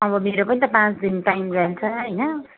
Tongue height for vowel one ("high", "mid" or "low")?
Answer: mid